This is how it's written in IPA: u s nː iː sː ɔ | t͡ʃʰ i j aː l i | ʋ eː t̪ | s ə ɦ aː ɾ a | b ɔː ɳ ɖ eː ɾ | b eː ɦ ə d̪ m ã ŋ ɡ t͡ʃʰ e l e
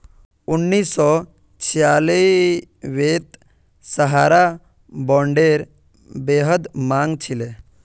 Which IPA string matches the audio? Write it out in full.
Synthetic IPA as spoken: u nː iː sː ɔ | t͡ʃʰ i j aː l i | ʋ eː t̪ | s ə ɦ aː ɾ a | b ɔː ɳ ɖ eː ɾ | b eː ɦ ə d̪ m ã ŋ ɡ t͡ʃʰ i l e